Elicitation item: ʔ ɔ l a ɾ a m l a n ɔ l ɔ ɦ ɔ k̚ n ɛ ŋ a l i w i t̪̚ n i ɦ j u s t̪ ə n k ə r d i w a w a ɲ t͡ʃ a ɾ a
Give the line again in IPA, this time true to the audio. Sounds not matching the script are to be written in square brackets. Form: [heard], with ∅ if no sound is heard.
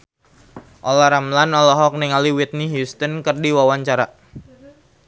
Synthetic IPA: ʔ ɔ l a ɾ a m l a n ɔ l ɔ ɦ ɔ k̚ n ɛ ŋ a l i w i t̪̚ n i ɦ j u s t̪ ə n k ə r d i w a w a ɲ t͡ʃ a ɾ a